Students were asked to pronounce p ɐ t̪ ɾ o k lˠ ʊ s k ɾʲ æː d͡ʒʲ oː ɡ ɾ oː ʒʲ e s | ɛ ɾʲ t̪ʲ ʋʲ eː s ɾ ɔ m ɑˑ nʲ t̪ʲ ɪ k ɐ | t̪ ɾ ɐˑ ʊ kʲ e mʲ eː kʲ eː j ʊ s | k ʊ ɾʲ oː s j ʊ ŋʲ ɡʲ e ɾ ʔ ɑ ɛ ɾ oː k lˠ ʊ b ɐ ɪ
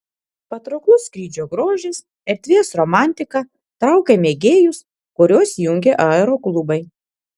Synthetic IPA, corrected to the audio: p ɐ t̪ ɾ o k lˠ ʊ s k ɾʲ iː d͡ʒʲ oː ɡ ɾ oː ʒʲ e s | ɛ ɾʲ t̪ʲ ʋʲ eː s ɾ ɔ m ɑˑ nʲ t̪ʲ ɪ k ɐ | t̪ ɾ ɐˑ ʊ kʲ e mʲ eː ɡʲ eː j ʊ s | k ʊ ɾʲ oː s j ʊ ŋʲ ɡʲ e ʔ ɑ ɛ ɾ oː k lˠ ʊ b ɐ ɪ